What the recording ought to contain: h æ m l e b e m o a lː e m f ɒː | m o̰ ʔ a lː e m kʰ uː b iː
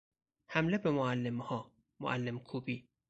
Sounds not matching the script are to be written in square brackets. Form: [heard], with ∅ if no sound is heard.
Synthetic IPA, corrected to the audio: h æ m l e b e m o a lː e m [h] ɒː | m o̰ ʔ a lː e m kʰ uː b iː